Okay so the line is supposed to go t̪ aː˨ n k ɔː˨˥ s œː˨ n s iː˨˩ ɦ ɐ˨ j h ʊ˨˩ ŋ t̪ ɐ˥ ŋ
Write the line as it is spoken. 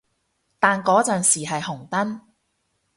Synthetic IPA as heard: t̪ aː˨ n k ɔː˨˥ t͡s œː˨ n s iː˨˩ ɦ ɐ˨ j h ʊ˨˩ ŋ t̪ ɐ˥ n